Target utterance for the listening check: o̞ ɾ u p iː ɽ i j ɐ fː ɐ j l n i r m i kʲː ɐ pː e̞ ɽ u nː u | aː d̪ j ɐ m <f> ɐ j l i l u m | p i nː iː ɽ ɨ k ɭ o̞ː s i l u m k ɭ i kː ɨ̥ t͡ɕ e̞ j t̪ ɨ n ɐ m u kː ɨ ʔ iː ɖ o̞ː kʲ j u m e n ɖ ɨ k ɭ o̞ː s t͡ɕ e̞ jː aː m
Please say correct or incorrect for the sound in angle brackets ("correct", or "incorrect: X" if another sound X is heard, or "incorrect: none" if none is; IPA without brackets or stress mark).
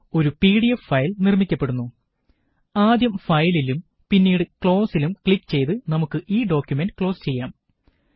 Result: correct